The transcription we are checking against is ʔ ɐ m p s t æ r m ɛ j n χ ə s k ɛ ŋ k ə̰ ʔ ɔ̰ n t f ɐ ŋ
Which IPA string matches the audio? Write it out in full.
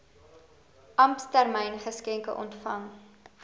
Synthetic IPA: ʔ ɐ m p s t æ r m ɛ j n χ ə s k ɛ ŋ k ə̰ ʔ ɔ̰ n t f ɐ ŋ

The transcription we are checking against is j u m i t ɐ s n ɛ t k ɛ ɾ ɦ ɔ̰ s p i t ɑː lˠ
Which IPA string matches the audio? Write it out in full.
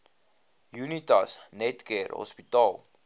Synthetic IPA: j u n i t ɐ s n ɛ t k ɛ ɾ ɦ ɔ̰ s p i t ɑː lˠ

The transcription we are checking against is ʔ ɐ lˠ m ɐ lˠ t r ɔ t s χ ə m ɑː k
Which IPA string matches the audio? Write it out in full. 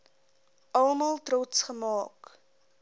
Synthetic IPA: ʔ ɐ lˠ m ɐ lˠ t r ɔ t s χ ə m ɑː k

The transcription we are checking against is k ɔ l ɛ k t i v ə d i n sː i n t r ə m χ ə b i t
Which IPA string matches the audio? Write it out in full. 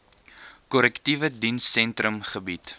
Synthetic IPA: k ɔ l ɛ k t i v ə d i n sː ɛ n t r ə m χ ə b i t

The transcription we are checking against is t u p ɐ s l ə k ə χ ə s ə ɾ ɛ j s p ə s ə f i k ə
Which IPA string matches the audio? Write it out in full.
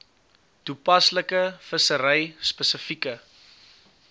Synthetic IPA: t u p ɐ s l ə k ə f ə s ə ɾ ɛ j s p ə s ə f i k ə

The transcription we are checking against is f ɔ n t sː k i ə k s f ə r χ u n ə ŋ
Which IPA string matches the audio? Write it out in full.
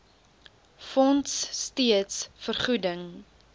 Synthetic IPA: f ɔ n t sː t i ə t s f ə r χ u d ə ŋ

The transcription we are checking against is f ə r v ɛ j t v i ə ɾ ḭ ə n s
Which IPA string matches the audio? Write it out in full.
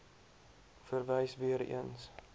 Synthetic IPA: f ə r v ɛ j s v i ə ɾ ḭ ə n s

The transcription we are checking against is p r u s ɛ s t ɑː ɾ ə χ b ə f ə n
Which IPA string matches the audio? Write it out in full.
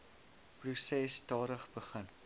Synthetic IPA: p r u s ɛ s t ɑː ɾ ə χ b ə χ ə n

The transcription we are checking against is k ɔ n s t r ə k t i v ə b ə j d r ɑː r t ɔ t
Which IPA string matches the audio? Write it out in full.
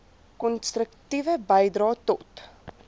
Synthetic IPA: k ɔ n s t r ə k t i v ə b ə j d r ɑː t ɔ t

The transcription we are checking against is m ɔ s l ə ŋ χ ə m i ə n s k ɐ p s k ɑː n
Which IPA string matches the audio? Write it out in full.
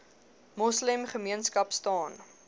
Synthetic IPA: m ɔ s l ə m χ ə m i ə n s k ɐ p s t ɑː n

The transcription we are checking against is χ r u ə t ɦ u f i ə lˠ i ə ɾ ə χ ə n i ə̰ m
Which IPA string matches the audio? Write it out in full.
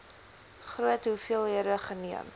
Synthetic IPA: χ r u ə t ɦ u f i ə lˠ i ə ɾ ə χ ə n i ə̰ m

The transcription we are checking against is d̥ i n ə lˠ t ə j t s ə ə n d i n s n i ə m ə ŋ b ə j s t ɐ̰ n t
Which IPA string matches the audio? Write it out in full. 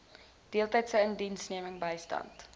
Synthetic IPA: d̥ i ə lˠ t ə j t s ə ə n d i n s n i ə m ə ŋ b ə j s t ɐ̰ n t

